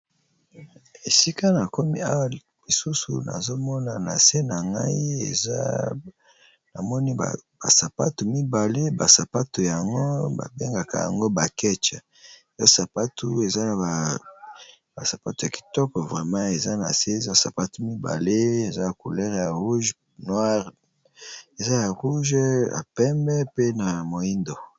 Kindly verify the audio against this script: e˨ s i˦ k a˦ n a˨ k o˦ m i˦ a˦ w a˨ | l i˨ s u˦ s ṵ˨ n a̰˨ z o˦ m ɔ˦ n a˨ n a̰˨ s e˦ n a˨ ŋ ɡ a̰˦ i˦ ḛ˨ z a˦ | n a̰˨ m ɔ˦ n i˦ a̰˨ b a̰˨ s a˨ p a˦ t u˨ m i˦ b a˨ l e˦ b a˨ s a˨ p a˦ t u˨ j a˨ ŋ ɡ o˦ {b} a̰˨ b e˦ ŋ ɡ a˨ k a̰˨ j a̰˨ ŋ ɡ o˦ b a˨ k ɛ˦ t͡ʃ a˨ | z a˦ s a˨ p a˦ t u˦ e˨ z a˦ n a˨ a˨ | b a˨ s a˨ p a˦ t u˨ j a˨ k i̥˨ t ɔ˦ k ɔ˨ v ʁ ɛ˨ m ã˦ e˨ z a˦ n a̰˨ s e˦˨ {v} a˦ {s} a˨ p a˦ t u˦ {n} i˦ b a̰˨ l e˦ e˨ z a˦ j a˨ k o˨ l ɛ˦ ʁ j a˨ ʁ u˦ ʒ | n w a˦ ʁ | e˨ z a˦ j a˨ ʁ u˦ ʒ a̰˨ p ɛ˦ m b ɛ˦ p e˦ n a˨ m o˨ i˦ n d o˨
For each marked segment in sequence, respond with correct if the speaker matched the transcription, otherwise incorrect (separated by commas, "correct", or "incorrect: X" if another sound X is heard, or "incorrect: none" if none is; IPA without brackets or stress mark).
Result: correct, incorrect: z, correct, incorrect: m